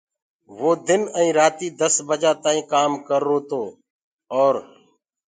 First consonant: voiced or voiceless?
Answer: voiced